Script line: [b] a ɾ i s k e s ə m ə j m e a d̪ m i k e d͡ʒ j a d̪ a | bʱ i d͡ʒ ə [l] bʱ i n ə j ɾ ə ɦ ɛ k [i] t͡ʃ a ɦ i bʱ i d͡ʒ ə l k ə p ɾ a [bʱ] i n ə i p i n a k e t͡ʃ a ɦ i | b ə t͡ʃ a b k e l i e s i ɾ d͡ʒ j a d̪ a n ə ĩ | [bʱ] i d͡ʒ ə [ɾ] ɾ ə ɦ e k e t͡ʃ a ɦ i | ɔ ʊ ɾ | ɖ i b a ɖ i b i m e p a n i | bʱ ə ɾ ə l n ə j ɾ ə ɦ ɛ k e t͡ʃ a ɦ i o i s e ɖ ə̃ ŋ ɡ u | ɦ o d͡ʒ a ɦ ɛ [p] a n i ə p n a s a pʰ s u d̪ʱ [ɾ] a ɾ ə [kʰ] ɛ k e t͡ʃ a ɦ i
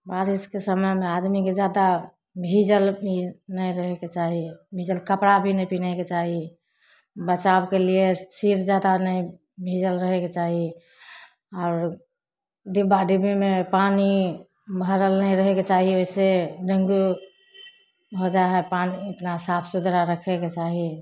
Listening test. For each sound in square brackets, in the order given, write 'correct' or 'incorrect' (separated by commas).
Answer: correct, correct, incorrect, correct, correct, incorrect, correct, correct, correct